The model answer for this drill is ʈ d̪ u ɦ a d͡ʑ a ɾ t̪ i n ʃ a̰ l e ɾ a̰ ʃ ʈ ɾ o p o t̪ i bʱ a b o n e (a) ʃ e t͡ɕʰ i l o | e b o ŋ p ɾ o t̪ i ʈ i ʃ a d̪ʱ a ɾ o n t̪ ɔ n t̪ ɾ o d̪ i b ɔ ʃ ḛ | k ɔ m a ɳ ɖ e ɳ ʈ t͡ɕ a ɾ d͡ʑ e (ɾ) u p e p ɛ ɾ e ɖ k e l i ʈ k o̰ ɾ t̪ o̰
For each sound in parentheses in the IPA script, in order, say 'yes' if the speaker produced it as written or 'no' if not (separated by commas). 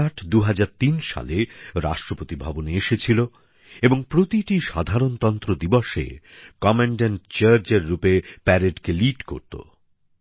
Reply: no, no